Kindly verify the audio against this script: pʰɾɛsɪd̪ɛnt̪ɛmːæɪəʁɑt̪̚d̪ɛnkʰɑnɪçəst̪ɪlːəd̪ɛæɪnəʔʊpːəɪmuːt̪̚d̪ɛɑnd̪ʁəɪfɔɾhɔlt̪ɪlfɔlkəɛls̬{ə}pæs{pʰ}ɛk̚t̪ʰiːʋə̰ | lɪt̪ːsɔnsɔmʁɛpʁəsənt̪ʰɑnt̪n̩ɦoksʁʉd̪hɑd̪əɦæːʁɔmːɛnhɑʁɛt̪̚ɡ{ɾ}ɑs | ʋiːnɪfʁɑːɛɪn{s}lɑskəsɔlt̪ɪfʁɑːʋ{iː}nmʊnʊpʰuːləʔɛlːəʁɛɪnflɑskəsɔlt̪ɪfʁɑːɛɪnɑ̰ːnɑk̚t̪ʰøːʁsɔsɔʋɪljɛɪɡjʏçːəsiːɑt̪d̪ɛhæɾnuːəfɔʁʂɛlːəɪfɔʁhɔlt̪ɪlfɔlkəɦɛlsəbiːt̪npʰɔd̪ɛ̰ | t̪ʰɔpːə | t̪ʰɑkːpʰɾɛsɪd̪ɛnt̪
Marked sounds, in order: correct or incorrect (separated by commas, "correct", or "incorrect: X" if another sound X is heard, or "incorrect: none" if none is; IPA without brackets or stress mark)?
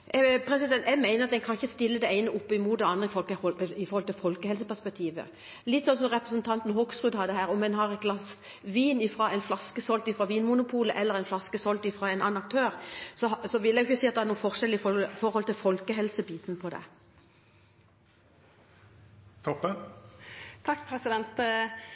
correct, incorrect: p, incorrect: l, incorrect: f, correct